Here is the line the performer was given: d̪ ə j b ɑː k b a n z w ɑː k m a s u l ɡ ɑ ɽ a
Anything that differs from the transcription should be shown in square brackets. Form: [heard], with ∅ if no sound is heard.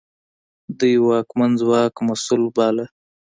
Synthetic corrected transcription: d̪ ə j [w] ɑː k [m] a n z w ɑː k m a s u l [b] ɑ [l] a